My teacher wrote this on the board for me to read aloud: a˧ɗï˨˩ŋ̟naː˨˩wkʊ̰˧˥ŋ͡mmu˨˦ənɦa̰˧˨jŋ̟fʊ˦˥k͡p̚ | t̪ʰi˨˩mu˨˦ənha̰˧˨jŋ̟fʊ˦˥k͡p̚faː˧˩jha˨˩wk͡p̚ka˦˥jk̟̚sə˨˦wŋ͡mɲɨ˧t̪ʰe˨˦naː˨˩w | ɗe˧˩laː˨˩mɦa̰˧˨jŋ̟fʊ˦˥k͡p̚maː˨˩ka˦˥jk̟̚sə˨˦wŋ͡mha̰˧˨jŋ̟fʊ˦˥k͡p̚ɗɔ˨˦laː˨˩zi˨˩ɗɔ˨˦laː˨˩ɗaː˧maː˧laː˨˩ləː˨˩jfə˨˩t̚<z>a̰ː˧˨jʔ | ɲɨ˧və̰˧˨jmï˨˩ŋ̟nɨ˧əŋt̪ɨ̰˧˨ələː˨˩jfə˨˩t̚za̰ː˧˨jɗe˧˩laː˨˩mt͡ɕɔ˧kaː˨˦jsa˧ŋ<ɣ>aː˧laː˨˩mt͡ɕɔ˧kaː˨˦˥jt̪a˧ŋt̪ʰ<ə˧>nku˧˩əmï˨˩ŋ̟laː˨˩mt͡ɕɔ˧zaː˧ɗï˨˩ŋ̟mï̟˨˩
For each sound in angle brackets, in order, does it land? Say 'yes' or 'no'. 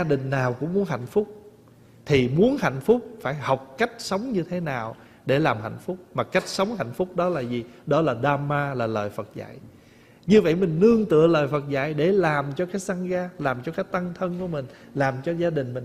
yes, yes, yes

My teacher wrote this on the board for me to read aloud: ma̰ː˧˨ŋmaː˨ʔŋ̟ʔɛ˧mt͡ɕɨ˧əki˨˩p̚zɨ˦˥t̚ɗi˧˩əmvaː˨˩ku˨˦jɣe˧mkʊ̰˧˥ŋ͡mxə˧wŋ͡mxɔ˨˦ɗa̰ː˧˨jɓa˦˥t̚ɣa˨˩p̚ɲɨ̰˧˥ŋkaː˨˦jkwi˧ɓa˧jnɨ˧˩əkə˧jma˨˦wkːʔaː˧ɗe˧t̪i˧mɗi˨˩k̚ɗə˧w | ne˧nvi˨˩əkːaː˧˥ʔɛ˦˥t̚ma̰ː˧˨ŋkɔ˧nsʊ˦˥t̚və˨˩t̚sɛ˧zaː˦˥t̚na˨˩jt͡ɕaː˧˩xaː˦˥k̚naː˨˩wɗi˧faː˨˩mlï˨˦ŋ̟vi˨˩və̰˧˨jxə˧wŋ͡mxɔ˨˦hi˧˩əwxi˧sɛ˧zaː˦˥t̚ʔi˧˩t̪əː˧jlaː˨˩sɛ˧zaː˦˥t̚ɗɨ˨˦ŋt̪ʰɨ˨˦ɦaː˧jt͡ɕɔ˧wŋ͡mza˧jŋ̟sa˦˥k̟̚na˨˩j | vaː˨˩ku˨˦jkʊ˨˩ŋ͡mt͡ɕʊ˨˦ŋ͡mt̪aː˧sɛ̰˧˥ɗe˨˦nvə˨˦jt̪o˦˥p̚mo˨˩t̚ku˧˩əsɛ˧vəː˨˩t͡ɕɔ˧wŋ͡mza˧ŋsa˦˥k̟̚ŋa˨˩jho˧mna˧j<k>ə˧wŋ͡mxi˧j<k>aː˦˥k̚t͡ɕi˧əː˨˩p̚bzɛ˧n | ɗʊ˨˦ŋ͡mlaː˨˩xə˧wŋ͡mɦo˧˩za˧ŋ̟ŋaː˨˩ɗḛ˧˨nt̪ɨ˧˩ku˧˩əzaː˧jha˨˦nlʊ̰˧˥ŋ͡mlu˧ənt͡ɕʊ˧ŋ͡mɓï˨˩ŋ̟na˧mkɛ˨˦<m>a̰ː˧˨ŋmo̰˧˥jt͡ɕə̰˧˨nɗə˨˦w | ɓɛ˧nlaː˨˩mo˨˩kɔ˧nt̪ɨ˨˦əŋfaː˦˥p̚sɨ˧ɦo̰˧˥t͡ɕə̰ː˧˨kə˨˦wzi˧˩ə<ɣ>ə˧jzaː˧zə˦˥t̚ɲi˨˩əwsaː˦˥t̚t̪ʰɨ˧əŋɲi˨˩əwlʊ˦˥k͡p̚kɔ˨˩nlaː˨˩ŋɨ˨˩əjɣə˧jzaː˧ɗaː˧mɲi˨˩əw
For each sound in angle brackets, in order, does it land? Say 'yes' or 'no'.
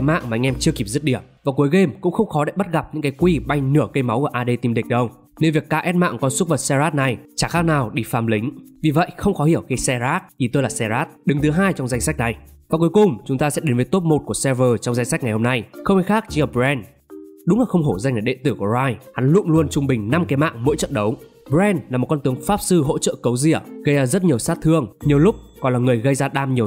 no, no, yes, yes

